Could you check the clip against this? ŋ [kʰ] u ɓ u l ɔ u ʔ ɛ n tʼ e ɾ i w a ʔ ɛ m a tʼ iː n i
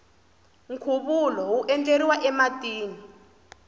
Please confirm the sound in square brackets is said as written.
yes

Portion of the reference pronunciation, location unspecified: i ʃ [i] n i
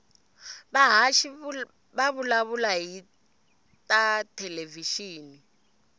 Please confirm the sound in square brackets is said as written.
no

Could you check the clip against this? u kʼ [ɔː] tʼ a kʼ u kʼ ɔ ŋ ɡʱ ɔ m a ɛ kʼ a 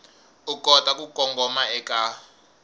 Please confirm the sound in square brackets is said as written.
no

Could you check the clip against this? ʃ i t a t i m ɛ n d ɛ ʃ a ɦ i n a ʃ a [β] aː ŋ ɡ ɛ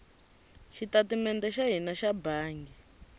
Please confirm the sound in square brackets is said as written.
no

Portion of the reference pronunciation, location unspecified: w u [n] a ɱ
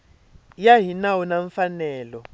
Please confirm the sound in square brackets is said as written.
yes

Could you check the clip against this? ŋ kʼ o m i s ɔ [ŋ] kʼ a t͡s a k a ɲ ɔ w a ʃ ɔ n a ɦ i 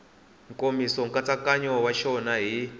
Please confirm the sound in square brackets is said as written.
yes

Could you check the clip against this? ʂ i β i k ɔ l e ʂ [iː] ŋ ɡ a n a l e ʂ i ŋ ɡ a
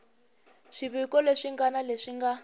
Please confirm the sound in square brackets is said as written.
no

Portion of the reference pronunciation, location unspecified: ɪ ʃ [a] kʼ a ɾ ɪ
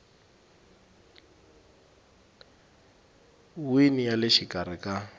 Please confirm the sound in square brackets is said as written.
no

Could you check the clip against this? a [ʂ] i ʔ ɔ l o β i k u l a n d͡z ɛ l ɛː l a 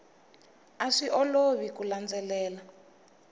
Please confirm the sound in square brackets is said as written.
yes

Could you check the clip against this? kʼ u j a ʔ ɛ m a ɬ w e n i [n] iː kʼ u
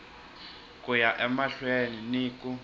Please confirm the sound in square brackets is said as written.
yes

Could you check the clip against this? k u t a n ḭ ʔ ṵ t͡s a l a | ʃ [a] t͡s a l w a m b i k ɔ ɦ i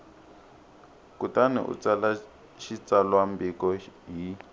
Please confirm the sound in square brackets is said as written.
no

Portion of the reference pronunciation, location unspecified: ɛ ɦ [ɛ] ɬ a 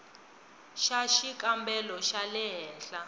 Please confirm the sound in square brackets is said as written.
no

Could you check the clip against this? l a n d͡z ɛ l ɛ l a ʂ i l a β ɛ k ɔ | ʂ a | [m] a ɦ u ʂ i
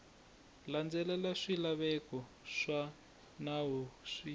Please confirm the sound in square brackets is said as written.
no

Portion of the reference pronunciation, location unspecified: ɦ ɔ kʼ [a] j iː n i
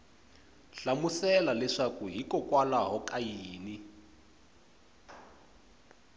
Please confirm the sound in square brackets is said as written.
yes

